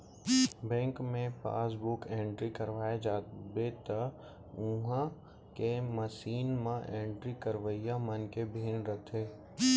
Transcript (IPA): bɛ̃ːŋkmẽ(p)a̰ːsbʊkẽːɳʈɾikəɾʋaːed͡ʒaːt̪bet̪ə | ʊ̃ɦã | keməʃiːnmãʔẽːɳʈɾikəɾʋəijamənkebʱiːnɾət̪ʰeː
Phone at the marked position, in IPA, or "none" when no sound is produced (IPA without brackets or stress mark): p